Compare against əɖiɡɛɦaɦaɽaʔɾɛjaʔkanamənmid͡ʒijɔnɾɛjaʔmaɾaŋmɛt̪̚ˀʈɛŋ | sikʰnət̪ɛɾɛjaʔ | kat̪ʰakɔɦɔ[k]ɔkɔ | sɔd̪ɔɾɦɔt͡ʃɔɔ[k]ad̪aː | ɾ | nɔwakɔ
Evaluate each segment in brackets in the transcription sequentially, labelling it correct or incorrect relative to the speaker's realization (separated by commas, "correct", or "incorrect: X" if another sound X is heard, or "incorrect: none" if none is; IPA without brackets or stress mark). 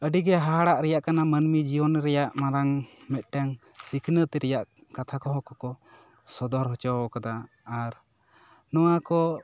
correct, correct